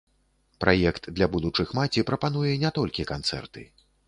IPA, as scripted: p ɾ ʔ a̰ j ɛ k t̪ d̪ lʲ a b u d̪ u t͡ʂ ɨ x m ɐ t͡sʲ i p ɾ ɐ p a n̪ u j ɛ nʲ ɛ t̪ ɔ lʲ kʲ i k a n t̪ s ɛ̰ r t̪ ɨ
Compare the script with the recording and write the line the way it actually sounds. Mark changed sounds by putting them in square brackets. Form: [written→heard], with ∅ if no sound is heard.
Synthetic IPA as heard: p ɾ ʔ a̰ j ɛ k t̪ d̪ lʲ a b u d̪ u t͡ʂ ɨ x m [ɐ→a] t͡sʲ i p ɾ ɐ p a n̪ u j ɛ nʲ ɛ t̪ ɔ lʲ kʲ i k a n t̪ s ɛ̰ r t̪ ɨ